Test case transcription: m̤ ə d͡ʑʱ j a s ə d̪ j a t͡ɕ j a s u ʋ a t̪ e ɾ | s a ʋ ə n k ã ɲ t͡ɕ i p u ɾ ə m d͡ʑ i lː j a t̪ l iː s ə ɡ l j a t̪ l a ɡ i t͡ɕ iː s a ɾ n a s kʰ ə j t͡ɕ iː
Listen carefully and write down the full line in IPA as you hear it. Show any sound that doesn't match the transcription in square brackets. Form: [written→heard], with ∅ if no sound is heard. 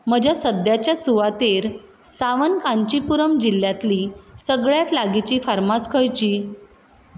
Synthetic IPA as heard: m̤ ə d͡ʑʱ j a s ə d̪ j a t͡ɕ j a s u ʋ a t̪ e ɾ | s a ʋ ə n k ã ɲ t͡ɕ i p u ɾ ə m d͡ʑ i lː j a t̪ l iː s ə ɡ [l→ɭ] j a t̪ l a ɡ i t͡ɕ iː [s→f] a ɾ [n→m] a s kʰ ə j t͡ɕ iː